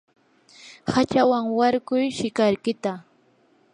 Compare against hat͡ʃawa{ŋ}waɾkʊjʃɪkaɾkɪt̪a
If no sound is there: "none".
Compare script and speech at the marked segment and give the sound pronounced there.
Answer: ŋ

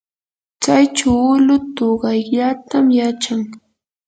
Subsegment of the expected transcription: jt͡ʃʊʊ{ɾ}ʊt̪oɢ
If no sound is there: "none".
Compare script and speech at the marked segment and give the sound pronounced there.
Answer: l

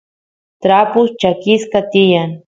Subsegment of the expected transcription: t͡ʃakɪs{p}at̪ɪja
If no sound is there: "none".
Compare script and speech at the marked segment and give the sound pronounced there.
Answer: k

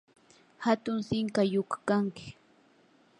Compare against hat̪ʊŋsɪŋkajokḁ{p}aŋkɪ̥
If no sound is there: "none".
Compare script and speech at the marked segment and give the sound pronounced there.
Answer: k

